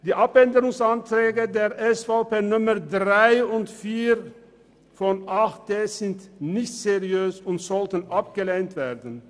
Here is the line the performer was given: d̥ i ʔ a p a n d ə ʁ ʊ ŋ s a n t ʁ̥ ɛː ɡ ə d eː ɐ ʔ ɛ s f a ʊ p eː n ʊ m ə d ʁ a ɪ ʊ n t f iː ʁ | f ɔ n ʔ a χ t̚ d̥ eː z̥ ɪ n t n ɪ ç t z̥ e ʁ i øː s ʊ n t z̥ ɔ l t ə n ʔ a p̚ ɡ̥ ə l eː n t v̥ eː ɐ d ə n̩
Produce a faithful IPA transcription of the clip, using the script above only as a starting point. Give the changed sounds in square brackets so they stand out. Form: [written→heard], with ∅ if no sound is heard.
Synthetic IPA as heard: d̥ [i→iː] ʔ a p [a→ɛ] n d ə ʁ ʊ ŋ s a n t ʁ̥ ɛː ɡ ə d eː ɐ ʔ ɛ s f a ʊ p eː n ʊ m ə d ʁ a ɪ ʊ n t f iː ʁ | f ɔ n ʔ a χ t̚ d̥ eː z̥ ɪ n t n ɪ ç t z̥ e ʁ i øː s ʊ n t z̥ ɔ l t ə n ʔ a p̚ ɡ̥ ə l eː n t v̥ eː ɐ d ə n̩